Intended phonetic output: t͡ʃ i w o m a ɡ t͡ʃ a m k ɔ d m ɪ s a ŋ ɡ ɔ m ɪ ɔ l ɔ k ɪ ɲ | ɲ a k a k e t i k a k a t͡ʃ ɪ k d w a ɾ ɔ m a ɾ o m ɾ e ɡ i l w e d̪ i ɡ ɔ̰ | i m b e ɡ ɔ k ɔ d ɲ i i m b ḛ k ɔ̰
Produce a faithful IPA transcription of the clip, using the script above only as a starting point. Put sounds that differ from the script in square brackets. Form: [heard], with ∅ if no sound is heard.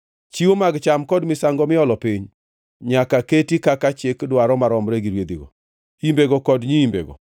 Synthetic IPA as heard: t͡ʃ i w o m a ɡ t͡ʃ a m k ɔ d m ɪ s a ŋ ɡ ɔ m ɪ ɔ l ɔ [p] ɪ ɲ | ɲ a k a k e t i k a k a t͡ʃ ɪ k d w a ɾ ɔ m a ɾ [ɔ] m ɾ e ɡ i [ɾ] w e d̪ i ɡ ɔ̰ | i m b e ɡ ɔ k ɔ d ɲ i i m b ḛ [ɡ] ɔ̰

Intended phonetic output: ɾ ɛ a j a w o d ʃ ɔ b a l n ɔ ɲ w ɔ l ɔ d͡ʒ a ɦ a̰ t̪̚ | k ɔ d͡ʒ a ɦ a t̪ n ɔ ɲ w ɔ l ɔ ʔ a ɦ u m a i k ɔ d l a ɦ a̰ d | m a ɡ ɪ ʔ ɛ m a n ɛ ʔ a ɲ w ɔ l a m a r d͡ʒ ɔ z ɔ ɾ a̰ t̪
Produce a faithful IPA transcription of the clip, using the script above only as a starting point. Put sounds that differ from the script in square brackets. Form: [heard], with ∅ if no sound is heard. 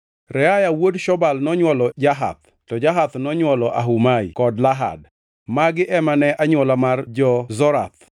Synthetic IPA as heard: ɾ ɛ a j a w o d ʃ ɔ b a l n ɔ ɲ w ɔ l ɔ d͡ʒ a ɦ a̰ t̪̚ | [t] ɔ d͡ʒ a ɦ a t̪ n ɔ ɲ w ɔ l ɔ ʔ a ɦ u m a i k ɔ d l a ɦ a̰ d | m a ɡ ɪ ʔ ɛ m a n ɛ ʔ a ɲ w ɔ l a m a r d͡ʒ ɔ z ɔ ɾ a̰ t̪

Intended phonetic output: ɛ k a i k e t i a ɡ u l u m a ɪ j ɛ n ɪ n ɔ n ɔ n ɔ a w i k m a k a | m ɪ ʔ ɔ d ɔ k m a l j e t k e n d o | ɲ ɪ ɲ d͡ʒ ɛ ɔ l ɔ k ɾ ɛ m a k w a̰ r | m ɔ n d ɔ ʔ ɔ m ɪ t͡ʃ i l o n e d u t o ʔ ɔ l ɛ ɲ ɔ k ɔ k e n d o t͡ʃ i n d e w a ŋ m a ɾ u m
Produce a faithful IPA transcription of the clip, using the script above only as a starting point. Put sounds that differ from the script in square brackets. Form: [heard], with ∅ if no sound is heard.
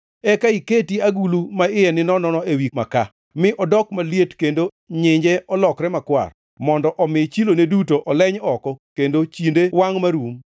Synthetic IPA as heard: ɛ k a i k e t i a ɡ u l u m a ɪ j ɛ n ɪ n ɔ n ɔ n ɔ [e] w i k m a k a | m ɪ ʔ ɔ d ɔ k m a l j e t k e n d o | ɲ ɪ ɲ d͡ʒ ɛ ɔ l ɔ k ɾ ɛ m a k w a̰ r | m ɔ n d ɔ ʔ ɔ m ɪ t͡ʃ i l o n e d u t o ʔ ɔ l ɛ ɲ ɔ k ɔ k e n d o t͡ʃ i n d e w a ŋ m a ɾ u m

